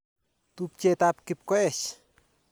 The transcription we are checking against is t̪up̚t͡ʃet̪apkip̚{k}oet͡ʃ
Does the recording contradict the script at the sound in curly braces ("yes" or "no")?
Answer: no